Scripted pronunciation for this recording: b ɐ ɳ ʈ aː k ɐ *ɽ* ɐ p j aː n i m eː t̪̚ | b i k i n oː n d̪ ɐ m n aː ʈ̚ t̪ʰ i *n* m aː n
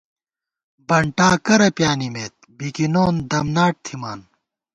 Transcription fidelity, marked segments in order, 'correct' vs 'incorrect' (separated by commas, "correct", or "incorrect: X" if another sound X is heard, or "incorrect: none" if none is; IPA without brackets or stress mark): incorrect: ɾ, incorrect: none